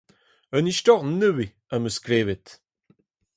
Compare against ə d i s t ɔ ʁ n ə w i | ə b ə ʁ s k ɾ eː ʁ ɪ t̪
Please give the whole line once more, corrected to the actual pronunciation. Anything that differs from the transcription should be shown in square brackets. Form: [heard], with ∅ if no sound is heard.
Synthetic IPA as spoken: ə [n] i [ʃ] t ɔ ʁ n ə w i | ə [m] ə [∅] s k ɾ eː [v] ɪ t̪